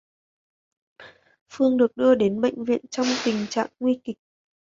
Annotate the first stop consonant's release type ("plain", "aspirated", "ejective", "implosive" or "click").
implosive